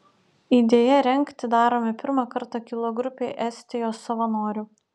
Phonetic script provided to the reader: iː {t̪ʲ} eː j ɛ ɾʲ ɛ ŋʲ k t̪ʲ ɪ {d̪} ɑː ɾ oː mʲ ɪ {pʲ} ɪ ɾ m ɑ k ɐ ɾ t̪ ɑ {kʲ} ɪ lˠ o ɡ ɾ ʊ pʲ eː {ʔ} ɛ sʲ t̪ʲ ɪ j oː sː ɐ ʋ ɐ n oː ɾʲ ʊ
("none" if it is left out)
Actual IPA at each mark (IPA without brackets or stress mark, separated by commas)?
d̪ʲ, d̪, pʲ, kʲ, ʔ